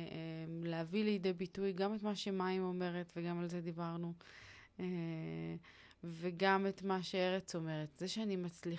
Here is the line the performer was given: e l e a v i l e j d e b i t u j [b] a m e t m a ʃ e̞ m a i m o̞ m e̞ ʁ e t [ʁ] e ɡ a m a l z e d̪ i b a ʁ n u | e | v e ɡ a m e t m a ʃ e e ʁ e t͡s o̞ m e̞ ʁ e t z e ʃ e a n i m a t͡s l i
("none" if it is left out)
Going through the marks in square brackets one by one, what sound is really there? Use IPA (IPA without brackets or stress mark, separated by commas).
ɡ, v